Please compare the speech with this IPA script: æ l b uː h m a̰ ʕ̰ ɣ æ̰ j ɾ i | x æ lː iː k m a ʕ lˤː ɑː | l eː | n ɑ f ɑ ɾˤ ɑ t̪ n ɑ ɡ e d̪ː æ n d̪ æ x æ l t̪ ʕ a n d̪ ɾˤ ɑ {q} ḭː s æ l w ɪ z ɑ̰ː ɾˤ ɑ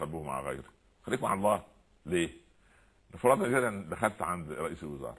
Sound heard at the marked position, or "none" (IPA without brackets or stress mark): ʔ